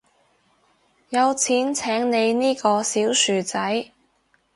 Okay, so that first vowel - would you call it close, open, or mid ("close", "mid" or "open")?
open